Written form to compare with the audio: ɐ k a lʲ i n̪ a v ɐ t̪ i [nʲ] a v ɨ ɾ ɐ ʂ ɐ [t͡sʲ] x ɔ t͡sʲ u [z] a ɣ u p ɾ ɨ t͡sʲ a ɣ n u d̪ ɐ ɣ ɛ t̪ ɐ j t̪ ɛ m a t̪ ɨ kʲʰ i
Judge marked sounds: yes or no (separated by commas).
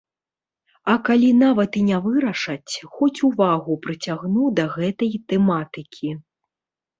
yes, yes, no